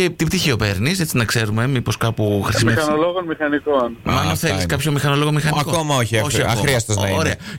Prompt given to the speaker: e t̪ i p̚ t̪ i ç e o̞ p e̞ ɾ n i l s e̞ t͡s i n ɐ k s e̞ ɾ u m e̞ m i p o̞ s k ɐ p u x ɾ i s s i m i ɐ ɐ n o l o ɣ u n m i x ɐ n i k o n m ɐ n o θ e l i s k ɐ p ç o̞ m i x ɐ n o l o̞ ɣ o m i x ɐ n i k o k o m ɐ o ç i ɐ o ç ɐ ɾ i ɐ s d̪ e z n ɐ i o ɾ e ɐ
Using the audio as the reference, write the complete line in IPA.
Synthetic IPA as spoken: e t̪ i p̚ t̪ i ç i o̞ p e̞ ɾ n i s e̞ t͡s i n ɐ k s e̞ ɾ u m e̞ m i p o̞ s k ɐ p u x ɾ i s s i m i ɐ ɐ n o l o ɣ o n m i x ɐ n i k o n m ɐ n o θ e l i s k ɐ p ç o̞ m i x ɐ n o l o̞ ɣ o m i x ɐ n i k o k o m ɐ o ç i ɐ o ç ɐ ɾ i ɐ s t̪ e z n ɐ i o ɾ e ɐ